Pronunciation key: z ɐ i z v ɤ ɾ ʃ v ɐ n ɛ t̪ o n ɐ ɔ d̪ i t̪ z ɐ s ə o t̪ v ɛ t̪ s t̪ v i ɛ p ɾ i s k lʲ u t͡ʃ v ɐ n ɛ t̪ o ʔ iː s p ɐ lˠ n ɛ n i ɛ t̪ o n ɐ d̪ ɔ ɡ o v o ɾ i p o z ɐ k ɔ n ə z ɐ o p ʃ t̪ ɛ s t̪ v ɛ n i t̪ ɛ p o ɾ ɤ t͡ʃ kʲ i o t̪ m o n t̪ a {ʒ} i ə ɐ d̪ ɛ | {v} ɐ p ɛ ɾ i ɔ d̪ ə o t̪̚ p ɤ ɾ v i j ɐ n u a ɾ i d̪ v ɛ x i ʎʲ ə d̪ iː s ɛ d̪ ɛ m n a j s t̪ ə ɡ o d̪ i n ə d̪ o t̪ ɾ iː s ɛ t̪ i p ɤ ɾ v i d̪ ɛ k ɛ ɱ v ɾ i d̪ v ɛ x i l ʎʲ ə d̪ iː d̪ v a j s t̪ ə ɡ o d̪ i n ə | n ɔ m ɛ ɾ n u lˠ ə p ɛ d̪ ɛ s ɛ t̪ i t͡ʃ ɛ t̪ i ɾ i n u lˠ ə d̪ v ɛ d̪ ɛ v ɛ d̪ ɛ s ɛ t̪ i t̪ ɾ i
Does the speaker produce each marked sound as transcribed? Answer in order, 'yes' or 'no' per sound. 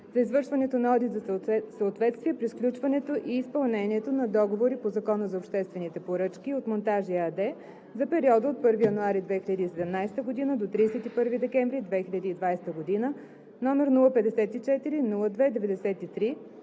yes, no

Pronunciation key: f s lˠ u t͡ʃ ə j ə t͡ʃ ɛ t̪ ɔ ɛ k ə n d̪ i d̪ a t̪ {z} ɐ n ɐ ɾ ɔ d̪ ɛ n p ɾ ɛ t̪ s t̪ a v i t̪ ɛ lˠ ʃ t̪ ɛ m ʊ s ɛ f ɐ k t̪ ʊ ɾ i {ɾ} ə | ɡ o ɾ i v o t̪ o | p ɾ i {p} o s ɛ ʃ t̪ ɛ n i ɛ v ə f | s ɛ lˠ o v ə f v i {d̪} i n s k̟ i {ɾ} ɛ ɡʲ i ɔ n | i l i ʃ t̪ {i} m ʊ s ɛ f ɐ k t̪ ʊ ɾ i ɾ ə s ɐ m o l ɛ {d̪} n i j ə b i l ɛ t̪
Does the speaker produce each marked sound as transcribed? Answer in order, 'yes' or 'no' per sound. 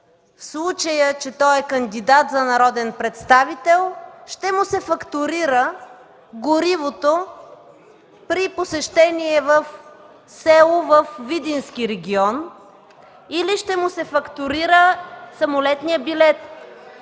yes, yes, yes, yes, yes, no, no

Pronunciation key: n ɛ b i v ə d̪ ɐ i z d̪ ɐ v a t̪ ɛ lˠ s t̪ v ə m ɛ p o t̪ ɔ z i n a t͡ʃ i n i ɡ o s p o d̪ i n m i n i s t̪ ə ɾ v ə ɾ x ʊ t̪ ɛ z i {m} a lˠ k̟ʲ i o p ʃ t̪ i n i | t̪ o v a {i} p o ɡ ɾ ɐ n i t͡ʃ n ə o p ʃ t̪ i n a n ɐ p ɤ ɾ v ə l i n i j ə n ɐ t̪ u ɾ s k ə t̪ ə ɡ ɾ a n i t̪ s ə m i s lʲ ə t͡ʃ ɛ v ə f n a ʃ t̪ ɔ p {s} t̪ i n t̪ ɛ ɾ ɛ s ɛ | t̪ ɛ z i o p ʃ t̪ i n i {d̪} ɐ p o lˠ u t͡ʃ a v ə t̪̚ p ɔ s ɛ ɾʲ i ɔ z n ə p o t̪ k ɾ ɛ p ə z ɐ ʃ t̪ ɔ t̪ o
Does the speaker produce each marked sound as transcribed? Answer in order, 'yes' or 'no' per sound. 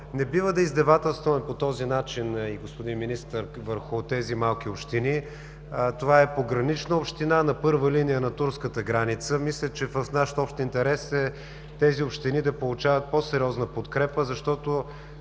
yes, no, no, yes

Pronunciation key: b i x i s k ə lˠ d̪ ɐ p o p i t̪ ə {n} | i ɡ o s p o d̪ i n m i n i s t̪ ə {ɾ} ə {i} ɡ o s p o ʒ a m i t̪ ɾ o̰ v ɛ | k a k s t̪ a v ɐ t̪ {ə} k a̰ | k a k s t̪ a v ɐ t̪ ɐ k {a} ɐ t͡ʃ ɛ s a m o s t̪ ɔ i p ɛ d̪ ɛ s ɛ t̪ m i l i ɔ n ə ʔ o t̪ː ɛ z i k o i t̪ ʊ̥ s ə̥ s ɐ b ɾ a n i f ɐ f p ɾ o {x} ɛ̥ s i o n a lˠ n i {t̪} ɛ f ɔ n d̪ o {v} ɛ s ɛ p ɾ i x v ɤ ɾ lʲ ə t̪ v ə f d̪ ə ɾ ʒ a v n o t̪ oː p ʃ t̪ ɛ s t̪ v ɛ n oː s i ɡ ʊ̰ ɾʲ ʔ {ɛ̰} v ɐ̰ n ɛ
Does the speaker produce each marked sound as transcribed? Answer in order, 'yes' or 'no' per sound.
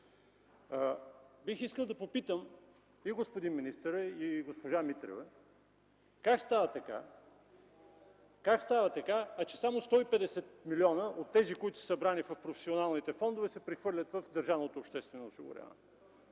no, yes, yes, no, yes, no, yes, yes, no

